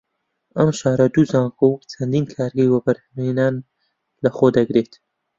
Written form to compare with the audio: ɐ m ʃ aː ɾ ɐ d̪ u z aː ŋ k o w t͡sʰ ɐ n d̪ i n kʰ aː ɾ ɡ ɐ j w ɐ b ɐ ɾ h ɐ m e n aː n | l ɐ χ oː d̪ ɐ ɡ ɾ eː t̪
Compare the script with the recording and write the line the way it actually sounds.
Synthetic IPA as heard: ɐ m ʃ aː ɾ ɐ d̪ u z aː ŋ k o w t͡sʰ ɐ n d̪ i n kʰ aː ɾ ɡ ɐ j w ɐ b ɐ ɾ h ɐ m e n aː n | l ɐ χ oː d̪ ɐ ɡ ɾ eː t̪